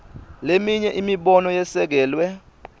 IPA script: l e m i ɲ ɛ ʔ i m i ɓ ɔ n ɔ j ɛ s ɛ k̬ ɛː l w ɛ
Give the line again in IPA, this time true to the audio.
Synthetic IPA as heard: l e m i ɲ ɛ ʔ i m i ɓ ɔ n ɔ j ɛ s ɛ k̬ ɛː l w ɛ